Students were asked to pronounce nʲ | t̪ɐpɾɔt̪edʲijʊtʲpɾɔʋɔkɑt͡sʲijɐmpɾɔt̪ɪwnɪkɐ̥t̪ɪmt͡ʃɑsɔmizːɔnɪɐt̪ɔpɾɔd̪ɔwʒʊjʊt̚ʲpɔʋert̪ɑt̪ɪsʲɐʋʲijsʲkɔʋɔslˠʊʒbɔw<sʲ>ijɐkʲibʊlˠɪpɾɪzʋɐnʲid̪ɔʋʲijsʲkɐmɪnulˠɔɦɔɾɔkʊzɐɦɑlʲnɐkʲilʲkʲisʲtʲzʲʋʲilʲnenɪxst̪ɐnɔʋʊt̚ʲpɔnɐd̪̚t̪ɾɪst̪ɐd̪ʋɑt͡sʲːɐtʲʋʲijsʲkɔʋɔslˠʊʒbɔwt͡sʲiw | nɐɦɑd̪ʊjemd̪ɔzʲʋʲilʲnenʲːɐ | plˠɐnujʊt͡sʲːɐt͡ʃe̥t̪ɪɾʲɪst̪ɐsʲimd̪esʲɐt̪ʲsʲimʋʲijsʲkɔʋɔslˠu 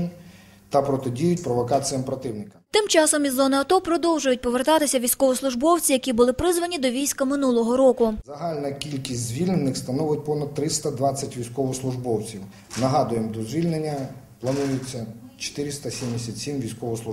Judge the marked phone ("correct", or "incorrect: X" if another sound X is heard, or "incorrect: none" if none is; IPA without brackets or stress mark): incorrect: t͡sʲ